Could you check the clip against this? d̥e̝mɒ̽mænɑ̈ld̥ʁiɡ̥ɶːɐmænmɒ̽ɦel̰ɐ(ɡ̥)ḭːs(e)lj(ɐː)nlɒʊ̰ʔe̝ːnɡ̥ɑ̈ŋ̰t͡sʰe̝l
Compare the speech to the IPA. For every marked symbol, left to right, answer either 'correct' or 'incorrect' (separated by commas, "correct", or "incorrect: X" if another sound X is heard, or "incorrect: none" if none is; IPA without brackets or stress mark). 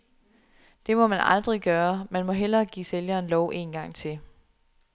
correct, correct, correct